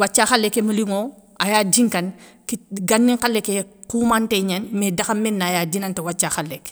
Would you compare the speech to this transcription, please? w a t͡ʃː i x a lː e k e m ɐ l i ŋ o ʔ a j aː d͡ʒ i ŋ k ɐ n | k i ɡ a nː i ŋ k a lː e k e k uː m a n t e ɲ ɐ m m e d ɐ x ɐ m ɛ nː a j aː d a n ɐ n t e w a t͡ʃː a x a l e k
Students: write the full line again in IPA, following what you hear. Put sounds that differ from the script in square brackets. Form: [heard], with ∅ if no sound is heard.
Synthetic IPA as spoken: w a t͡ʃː [a] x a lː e k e m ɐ l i ŋ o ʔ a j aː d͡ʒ i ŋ k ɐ n | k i ɡ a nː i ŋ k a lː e k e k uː m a n t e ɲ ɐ [n] m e d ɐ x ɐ m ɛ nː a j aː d [i] n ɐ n t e w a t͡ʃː a x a l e k